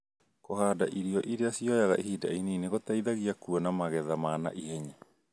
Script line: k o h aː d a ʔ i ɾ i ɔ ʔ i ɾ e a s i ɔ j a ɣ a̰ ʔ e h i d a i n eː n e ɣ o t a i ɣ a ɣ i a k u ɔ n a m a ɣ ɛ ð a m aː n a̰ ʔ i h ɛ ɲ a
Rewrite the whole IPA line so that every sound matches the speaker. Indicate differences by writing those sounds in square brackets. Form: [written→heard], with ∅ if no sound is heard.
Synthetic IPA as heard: k o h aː d a ʔ i ɾ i ɔ ʔ i ɾ e a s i ɔ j a ɣ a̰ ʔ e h i d a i n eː n e ɣ o t a i [ɣ→ð] a ɣ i a k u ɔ n a m a ɣ ɛ ð a m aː n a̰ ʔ i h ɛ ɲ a